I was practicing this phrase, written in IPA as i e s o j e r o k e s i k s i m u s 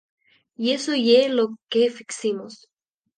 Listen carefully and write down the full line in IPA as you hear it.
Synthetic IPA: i e s o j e l o k e f i k s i m o s